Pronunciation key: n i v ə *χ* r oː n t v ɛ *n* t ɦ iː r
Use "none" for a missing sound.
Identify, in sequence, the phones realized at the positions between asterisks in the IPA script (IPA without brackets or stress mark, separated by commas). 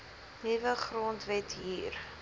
χ, none